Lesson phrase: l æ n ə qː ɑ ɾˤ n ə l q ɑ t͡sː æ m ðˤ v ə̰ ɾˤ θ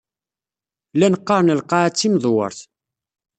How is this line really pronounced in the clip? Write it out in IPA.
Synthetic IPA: l æ n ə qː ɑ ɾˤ n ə l q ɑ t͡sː i m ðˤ w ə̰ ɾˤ θ